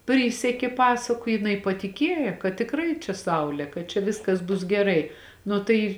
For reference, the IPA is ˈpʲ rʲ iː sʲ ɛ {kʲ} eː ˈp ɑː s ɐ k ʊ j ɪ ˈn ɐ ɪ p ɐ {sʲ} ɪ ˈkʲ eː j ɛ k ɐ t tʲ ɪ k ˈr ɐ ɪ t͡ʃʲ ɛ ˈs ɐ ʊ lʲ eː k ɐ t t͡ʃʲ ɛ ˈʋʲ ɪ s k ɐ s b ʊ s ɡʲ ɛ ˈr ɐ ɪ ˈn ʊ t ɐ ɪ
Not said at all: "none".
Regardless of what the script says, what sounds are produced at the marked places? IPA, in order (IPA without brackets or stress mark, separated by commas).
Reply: kʲ, tʲ